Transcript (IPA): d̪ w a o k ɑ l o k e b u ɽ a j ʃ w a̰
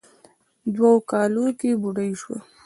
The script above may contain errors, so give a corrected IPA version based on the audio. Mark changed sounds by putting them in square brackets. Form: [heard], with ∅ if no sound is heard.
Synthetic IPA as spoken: d̪ w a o k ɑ l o k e b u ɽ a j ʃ w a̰